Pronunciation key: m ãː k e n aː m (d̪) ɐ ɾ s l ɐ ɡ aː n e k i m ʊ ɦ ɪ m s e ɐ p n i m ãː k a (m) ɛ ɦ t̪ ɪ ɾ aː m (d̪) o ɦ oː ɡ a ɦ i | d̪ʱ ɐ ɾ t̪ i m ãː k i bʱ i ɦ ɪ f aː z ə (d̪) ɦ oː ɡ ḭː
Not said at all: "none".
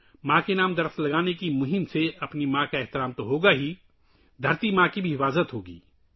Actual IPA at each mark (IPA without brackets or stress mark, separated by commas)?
d̪, none, t̪, t̪